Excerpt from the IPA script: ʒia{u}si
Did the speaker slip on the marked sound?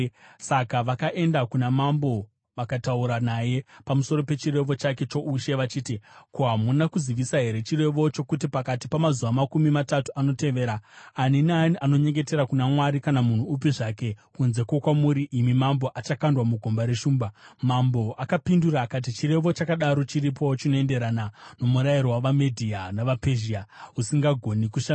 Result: no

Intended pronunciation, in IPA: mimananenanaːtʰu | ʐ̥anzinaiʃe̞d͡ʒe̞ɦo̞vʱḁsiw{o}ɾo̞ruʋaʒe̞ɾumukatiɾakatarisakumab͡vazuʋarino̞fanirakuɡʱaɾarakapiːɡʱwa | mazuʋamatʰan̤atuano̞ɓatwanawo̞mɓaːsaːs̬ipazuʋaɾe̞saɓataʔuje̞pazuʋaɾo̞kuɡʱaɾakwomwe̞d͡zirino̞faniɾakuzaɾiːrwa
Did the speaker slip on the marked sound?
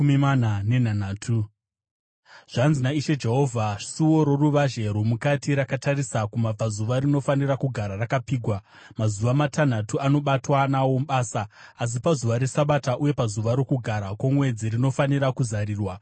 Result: no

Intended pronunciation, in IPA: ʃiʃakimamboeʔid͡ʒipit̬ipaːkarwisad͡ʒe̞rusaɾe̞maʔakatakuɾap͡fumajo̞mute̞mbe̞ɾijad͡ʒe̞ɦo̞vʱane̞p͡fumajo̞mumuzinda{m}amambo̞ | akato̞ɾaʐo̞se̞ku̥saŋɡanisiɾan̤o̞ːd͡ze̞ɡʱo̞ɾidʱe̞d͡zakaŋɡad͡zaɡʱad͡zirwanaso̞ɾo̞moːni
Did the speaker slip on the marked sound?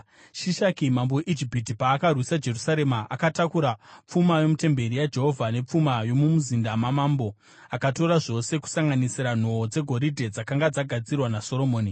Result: no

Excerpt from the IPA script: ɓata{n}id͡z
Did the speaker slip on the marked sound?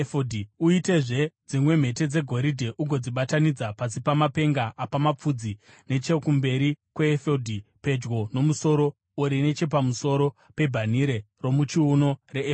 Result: no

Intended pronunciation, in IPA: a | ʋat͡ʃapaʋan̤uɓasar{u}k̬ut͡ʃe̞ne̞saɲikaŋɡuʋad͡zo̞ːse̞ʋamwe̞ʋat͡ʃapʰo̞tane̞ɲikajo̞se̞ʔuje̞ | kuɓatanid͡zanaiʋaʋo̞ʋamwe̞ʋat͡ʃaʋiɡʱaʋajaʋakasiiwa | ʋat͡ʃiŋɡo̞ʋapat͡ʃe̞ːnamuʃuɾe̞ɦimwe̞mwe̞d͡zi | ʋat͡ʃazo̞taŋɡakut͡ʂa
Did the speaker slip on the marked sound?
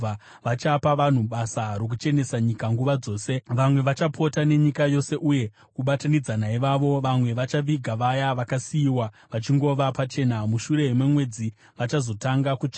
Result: yes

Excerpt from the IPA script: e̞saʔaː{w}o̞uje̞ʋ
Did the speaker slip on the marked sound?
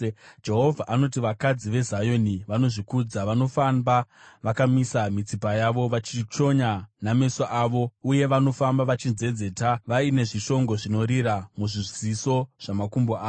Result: yes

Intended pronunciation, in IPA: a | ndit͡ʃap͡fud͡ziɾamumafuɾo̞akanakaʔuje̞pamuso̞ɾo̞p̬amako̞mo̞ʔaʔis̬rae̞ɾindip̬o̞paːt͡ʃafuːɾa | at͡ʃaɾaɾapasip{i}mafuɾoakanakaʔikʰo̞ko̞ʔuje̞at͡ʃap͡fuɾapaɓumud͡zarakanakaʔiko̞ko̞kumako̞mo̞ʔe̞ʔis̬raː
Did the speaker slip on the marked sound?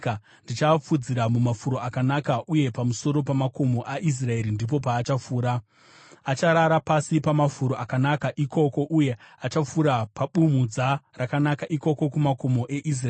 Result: yes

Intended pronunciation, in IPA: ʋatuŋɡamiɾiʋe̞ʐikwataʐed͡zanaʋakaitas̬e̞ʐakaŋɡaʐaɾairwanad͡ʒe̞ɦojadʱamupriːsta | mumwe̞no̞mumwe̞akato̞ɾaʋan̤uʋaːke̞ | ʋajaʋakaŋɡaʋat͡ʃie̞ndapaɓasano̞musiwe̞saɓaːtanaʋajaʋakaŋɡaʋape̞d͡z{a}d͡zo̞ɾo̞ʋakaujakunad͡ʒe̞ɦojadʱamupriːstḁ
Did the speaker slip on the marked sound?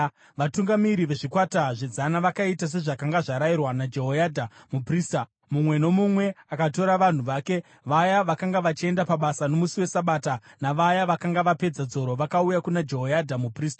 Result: no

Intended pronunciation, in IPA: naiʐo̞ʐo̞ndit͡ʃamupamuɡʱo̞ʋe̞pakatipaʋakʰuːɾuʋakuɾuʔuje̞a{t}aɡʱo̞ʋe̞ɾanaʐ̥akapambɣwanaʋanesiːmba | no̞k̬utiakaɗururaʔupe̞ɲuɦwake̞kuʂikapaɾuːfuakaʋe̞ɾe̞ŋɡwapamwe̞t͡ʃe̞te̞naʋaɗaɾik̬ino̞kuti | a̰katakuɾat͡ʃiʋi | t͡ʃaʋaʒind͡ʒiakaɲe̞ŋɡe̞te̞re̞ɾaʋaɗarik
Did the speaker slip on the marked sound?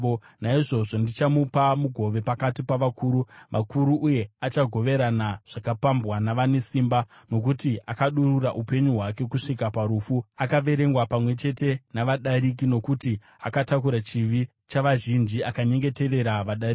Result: yes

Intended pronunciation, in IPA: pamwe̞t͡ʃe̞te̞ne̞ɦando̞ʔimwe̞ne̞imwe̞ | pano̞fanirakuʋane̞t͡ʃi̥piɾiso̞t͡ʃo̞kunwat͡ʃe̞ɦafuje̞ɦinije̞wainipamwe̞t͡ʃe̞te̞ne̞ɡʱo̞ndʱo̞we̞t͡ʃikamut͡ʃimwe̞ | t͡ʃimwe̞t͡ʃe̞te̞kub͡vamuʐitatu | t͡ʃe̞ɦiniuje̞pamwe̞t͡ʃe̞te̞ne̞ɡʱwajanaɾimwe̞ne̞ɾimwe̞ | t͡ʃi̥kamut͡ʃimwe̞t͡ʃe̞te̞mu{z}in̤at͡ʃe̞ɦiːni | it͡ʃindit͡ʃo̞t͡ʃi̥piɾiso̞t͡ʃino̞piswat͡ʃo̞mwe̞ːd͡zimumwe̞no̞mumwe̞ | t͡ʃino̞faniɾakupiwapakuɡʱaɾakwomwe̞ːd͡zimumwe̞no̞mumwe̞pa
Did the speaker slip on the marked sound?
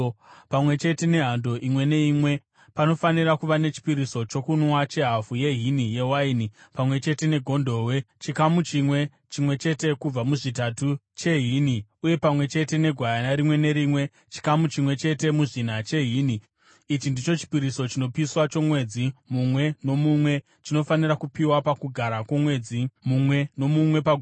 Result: yes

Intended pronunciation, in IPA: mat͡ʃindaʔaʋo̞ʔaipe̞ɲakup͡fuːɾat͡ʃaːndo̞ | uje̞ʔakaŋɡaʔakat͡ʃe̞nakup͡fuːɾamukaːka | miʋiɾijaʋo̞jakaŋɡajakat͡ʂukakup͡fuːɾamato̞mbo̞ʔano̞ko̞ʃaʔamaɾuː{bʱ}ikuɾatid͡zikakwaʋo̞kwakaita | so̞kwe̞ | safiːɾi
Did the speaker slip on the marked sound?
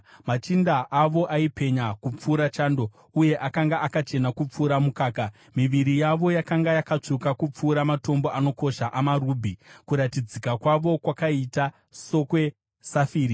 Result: no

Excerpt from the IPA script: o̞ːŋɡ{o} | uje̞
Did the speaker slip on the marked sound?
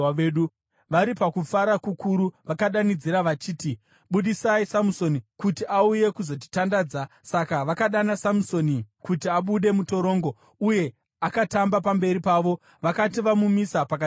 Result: no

